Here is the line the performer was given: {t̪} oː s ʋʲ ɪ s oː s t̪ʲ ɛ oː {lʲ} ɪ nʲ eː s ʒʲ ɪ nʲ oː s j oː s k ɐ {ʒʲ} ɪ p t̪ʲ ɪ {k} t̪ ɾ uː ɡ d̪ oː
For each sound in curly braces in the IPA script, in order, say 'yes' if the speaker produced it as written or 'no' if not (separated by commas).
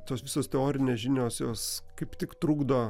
yes, no, no, yes